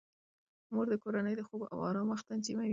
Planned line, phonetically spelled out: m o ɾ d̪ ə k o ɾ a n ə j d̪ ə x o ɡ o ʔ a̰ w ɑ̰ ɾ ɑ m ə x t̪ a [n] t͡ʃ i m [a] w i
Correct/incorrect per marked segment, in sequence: correct, correct

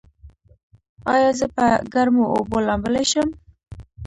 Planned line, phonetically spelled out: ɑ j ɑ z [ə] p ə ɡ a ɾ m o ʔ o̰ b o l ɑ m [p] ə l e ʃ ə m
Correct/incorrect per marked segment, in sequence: correct, incorrect: b

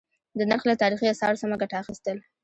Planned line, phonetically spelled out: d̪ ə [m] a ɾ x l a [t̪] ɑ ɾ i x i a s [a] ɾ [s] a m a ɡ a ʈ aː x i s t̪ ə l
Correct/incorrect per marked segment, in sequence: incorrect: n, correct, incorrect: ɑ, correct

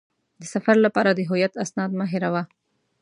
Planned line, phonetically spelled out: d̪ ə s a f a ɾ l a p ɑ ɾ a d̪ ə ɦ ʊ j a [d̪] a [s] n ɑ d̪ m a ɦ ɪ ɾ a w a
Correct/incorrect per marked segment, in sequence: incorrect: t̪, correct

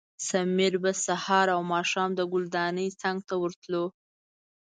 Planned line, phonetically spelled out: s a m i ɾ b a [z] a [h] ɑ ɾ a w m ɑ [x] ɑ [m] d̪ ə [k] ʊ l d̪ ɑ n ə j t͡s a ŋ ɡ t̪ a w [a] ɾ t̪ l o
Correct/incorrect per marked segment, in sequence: incorrect: s, correct, incorrect: ʃ, correct, incorrect: ɡ, incorrect: ə

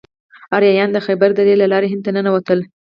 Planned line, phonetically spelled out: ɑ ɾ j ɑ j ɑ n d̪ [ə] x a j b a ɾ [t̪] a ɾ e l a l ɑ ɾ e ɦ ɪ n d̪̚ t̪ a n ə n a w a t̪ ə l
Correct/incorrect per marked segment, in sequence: correct, incorrect: d̪

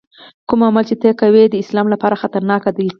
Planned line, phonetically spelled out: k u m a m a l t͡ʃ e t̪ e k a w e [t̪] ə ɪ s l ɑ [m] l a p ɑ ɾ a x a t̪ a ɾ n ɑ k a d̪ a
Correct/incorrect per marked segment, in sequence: incorrect: d̪, correct

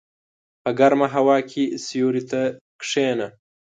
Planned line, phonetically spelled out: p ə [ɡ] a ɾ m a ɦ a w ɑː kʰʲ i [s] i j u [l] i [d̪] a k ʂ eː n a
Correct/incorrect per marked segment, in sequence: correct, correct, incorrect: ɾ, incorrect: t̪

